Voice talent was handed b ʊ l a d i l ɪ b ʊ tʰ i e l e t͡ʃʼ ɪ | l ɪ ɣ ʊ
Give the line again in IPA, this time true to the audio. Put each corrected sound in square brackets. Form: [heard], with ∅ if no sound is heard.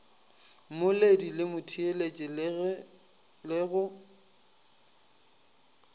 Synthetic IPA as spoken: [m] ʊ l [e] d i l ɪ [m] ʊ tʰ i e l e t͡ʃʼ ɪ | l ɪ ɣ ʊ